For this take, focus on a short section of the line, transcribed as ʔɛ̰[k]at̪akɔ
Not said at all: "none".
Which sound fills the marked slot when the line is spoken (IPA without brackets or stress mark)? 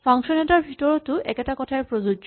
k